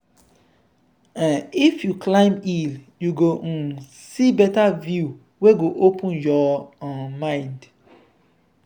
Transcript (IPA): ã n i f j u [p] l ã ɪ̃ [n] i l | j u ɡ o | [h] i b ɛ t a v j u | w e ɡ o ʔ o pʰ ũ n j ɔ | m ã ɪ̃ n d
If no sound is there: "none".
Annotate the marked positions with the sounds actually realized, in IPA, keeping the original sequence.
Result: k, m, s

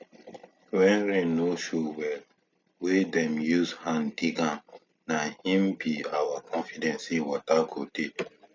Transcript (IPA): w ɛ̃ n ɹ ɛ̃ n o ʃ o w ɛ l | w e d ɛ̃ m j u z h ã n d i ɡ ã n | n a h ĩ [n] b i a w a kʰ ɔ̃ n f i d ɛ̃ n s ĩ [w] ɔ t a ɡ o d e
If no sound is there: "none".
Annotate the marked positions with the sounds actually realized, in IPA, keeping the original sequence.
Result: m, w

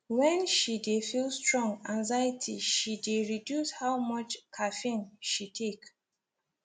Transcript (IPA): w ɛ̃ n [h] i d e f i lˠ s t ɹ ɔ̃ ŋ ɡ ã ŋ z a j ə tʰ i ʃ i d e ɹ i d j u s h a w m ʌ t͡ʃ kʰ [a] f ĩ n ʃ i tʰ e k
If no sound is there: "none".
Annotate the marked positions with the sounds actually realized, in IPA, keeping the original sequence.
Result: ʃ, a

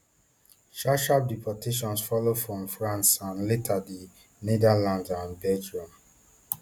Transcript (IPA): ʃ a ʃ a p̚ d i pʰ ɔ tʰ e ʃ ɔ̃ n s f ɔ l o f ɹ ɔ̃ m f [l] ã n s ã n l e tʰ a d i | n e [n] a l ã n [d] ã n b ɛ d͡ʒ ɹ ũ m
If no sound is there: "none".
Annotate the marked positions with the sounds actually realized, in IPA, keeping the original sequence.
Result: ɹ, d, d

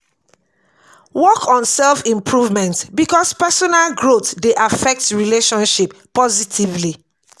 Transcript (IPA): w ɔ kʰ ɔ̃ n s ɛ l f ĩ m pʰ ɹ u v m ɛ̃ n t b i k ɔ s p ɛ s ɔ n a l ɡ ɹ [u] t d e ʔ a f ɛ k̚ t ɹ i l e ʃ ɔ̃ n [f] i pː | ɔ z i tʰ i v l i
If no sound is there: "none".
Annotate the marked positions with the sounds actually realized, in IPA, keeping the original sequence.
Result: o, ʃ

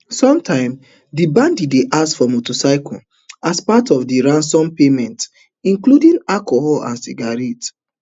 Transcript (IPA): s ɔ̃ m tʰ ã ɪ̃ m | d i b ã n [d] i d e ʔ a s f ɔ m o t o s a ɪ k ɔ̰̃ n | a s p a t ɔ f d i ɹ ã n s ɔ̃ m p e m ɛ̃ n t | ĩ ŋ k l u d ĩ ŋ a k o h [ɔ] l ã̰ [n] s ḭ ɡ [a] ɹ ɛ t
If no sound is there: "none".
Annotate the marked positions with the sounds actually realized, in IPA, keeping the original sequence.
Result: d, ɔ, n, a

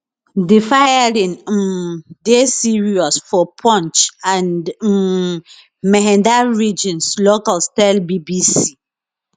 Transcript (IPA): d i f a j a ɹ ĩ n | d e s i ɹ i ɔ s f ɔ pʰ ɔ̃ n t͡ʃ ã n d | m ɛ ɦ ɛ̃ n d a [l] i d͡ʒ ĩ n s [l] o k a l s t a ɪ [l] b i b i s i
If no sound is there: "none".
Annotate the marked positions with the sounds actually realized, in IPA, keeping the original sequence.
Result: ɹ, l, l

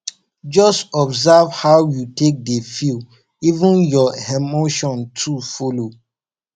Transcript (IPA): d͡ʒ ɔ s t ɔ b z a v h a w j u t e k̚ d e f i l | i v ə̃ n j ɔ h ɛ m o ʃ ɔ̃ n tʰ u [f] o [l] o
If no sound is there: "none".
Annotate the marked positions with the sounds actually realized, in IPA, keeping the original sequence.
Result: f, l

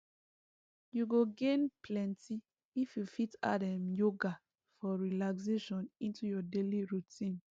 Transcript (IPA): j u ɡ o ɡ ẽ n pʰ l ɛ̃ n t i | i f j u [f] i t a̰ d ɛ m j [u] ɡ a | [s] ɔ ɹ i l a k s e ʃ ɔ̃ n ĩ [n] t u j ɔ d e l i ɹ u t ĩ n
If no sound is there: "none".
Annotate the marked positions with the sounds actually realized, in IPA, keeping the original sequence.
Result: f, o, f, n

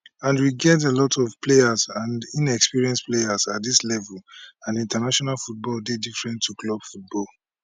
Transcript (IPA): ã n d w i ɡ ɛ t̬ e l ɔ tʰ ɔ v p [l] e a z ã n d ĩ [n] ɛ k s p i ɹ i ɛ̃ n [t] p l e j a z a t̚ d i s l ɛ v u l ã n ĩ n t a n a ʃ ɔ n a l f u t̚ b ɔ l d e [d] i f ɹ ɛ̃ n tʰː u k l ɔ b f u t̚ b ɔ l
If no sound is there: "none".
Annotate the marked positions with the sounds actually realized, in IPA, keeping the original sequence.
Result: l, n, s, d

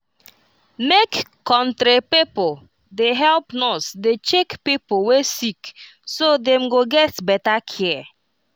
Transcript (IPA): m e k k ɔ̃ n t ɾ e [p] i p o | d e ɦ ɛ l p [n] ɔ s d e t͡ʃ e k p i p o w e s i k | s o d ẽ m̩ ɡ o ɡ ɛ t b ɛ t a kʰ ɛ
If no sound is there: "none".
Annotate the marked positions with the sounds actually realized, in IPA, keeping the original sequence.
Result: p, n

